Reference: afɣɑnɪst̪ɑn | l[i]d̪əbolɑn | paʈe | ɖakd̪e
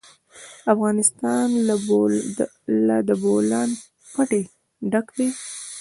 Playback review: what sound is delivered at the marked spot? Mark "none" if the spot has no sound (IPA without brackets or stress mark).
a